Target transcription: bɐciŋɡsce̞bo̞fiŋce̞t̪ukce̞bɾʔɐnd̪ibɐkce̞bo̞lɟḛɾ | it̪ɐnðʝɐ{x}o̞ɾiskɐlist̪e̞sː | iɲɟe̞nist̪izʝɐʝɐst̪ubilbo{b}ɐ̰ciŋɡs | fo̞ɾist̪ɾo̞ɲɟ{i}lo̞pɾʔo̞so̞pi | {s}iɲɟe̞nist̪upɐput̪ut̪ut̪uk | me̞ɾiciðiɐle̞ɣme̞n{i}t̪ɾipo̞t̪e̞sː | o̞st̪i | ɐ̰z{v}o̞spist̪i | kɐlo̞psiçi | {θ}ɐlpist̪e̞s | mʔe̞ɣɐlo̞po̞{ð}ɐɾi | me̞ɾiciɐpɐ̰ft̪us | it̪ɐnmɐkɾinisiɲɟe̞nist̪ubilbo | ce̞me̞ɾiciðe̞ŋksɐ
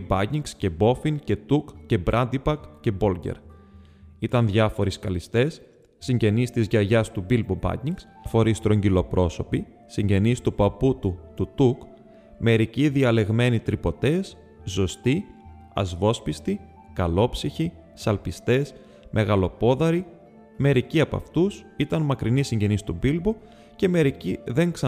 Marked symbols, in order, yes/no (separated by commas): no, yes, yes, yes, yes, yes, no, yes